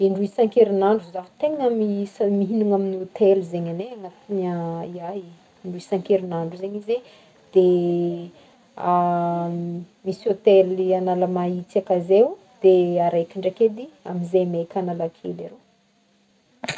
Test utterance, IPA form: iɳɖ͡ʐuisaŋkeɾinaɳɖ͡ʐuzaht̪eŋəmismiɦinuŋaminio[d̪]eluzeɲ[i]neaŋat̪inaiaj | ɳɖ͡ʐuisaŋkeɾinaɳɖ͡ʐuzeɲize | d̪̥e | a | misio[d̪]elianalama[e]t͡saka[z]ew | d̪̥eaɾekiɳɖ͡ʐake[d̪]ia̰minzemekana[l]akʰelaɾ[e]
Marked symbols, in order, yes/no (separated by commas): no, no, no, no, yes, yes, yes, yes